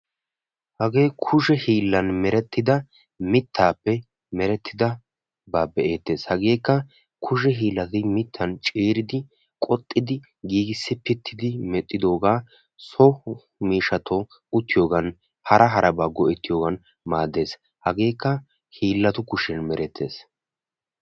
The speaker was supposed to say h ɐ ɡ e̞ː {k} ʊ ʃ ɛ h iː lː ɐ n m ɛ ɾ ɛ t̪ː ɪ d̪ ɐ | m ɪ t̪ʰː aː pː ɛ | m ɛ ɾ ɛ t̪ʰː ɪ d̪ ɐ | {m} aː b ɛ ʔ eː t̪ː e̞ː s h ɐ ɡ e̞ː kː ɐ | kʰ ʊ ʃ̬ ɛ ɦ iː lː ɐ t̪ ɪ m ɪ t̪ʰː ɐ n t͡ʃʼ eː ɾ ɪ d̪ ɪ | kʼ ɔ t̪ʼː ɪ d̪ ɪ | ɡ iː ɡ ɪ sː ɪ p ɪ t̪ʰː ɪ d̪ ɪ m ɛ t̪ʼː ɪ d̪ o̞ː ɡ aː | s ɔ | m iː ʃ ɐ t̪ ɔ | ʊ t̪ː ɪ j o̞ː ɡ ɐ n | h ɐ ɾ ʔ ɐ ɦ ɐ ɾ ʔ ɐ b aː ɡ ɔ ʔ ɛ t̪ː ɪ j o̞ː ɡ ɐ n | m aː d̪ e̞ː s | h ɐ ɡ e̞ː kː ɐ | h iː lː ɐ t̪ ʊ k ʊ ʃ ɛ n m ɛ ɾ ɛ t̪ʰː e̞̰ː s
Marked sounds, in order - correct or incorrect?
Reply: incorrect: kʰ, incorrect: b

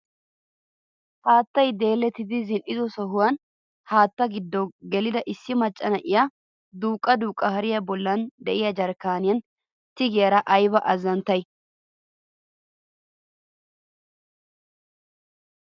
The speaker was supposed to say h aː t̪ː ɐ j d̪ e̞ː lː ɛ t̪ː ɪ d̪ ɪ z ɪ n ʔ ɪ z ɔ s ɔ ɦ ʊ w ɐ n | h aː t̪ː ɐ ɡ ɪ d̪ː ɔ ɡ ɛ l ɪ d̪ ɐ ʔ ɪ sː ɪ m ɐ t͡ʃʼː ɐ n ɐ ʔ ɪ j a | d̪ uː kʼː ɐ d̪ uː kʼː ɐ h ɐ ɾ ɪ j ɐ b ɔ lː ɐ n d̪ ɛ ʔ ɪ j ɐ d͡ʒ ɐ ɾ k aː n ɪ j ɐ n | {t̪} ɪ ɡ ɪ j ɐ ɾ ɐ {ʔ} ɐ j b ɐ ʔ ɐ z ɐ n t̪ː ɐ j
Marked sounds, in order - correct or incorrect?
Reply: correct, correct

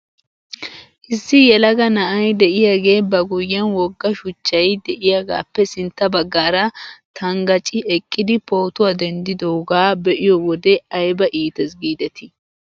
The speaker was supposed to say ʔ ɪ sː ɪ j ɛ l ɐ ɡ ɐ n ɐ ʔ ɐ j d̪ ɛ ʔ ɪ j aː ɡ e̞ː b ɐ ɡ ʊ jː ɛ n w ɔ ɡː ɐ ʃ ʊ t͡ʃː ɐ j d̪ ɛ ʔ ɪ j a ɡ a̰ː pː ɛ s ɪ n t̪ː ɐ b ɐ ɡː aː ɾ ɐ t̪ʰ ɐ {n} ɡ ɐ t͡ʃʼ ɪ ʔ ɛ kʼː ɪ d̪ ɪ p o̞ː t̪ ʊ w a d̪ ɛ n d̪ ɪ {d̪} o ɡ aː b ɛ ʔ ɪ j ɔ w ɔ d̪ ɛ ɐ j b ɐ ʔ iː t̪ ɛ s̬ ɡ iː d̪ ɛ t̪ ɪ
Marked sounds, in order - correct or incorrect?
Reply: incorrect: ŋ, correct

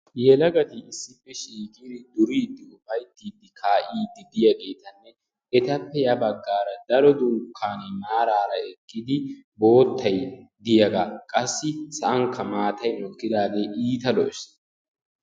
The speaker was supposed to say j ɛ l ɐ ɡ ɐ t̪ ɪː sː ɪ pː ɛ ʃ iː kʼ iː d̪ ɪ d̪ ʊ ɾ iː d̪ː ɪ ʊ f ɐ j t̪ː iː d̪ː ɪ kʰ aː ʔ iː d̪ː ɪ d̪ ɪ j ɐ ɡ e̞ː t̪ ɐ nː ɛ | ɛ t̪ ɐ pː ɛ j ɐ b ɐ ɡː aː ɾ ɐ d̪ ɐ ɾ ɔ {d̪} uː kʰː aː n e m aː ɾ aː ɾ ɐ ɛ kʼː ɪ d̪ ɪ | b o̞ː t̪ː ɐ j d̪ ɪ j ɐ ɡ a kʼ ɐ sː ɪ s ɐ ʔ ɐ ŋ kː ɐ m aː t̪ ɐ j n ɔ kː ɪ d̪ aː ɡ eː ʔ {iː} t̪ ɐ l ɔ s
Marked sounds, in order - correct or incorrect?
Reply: correct, correct

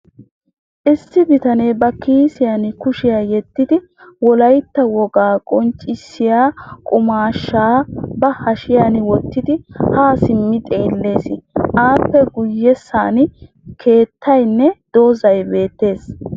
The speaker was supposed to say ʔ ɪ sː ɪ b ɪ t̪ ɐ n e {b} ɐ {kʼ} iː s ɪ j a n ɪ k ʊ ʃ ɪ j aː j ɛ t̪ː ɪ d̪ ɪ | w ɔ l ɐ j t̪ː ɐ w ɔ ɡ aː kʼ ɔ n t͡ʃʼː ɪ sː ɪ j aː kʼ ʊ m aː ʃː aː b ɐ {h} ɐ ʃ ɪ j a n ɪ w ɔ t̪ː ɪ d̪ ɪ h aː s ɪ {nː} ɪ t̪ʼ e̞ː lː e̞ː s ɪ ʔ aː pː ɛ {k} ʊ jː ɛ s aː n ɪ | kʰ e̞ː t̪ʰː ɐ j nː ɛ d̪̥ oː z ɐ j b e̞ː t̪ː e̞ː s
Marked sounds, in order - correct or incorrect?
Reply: correct, incorrect: k, correct, incorrect: mː, incorrect: ɡ

